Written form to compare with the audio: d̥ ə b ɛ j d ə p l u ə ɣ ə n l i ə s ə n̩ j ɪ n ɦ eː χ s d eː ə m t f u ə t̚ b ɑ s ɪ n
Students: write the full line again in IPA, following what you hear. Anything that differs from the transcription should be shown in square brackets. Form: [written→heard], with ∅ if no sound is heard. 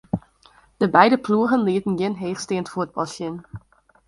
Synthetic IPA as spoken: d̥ ə b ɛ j d ə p l u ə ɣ ə n l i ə [s→t] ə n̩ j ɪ n ɦ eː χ s [d→t] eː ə [m→n] t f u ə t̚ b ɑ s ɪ n